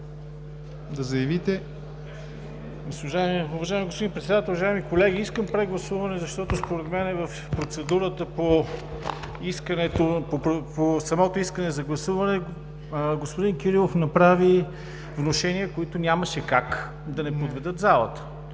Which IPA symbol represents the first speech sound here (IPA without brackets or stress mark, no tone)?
d̪